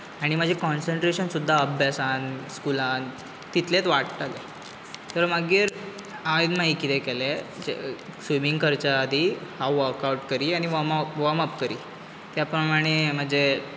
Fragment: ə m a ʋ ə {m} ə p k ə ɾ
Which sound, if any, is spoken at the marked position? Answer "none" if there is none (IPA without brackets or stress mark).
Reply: m